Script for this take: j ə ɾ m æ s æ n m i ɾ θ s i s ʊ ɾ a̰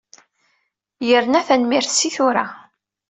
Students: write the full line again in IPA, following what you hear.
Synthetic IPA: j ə ɾ n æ θ æ n m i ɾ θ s i θ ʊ ɾ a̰